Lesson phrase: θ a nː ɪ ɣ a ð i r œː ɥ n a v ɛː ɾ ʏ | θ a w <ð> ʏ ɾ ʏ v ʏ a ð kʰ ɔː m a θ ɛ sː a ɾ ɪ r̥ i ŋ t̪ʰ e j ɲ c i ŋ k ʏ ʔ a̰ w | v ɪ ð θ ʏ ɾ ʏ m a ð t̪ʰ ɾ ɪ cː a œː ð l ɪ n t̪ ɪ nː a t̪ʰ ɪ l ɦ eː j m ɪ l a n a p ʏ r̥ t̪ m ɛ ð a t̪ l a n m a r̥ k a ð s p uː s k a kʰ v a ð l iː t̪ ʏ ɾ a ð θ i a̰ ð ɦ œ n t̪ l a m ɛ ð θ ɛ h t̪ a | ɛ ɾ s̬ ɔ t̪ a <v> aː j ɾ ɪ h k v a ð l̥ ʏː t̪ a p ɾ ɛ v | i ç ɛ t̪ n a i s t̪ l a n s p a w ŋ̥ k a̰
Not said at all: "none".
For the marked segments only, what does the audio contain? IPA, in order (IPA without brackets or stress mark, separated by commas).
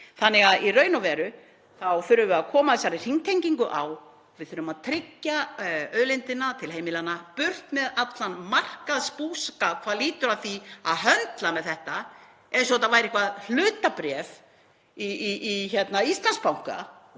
θ, v